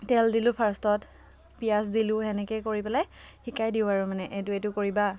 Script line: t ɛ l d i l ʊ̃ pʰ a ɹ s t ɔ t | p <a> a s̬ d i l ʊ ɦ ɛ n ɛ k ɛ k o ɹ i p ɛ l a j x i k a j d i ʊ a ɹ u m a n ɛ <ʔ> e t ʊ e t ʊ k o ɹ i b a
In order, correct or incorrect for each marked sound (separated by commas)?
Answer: incorrect, correct